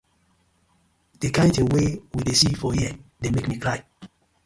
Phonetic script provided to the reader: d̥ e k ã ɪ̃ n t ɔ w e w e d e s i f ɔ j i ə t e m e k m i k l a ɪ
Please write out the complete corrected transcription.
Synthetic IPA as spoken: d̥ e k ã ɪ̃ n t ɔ w e w i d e s i f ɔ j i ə d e m e k m i k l a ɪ